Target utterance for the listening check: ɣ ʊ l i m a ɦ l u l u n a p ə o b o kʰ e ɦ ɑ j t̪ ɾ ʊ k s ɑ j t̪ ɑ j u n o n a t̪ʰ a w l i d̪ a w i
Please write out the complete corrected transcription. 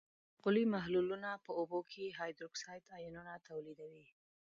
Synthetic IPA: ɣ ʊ l i m a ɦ l u l u n a p ə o b o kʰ e ɦ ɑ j d̪ ɾ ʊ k s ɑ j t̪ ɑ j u n u n a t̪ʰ a w l i d̪ a w i

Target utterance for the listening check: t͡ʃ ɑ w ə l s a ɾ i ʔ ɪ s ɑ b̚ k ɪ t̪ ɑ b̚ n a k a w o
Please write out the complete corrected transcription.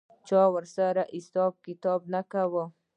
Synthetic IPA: t͡ʃ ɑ w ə ɾ s a ɾ a ʔ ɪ s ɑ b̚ k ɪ t̪ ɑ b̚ n a k a w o

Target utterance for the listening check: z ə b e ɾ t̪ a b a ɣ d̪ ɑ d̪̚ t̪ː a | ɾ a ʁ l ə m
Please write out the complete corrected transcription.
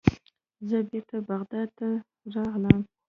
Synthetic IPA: z ə b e ɾ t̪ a b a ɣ d̪ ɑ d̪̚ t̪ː a | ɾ ɑ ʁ l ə m

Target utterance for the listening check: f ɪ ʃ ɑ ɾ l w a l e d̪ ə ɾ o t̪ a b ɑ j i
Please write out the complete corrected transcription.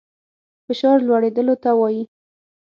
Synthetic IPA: f ɪ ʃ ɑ ɾ l w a ɽ e d̪ ə l o t̪ a w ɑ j i

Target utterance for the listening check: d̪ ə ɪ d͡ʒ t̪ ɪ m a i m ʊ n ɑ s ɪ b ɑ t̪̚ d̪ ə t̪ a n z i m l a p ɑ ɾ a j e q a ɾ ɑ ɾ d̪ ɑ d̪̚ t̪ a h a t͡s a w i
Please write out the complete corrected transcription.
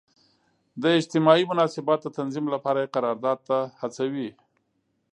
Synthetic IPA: d̪ ə ɪ d͡ʒ t̪ ɪ m ɑ i m ʊ n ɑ s ɪ b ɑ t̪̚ d̪ ə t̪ a n z i m l a p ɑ ɾ a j e q a ɾ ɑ ɾ d̪ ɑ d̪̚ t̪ a h a t͡s a w i

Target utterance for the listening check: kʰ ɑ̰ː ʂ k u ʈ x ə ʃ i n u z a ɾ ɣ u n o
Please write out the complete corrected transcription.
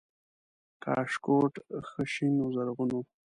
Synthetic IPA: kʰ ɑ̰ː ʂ k o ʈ x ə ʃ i n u z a ɾ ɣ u n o

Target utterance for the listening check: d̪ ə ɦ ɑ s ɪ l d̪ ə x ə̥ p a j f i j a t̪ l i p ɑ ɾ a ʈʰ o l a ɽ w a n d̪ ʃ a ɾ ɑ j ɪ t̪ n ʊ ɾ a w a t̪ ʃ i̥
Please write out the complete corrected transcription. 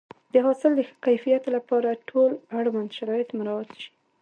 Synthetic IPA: d̪ ə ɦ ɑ s ɪ l d̪ ə x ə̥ k a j f i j a t̪ l a p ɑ ɾ a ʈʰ o l a ɽ w a n d̪ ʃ a ɾ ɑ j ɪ t̪ m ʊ ɾ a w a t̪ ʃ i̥

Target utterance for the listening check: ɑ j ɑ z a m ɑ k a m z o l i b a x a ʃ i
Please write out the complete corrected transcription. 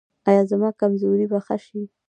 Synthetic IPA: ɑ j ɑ z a m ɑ k a m z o ɾ i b a x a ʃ i

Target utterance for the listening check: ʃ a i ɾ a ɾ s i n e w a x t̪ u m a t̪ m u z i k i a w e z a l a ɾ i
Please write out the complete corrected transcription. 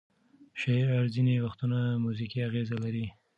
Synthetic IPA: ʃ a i ɾ a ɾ z i n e w a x t̪ u n a m u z i k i a ɣ e z a l a ɾ i

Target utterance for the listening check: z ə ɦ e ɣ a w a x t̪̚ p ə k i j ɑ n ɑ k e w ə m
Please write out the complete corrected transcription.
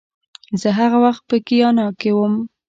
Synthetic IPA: z ə ɦ a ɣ a w a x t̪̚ p ə k i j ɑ n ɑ k e w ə m

